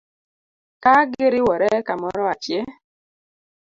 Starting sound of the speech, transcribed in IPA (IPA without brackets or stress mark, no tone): k